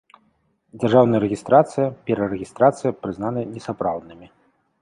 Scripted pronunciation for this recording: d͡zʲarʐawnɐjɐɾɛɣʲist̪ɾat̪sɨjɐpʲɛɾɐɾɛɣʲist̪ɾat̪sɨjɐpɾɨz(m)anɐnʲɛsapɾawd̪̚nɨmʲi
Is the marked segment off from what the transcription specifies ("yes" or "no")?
yes